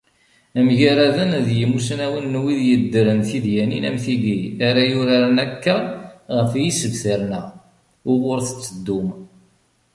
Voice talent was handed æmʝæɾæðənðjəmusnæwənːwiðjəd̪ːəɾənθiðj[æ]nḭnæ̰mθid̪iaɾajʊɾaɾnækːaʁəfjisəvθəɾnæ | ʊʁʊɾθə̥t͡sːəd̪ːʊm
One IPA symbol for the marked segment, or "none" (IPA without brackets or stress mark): æ